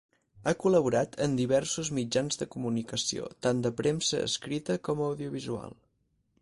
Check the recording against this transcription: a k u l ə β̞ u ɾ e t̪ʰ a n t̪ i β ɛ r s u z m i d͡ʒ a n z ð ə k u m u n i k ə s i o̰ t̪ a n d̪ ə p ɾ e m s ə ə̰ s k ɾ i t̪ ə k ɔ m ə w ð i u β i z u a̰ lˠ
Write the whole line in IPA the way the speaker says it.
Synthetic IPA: a k u l ə β̞ u ɾ a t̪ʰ ə n d̪ i β ɛ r s u z m i d͡ʒ a n z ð ə k u m u n i k ə s i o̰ t̪ a n d̪ ə p ɾ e m s ə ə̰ s k ɾ i t̪ ə k ɔ m ə w ð i u β i z u a̰ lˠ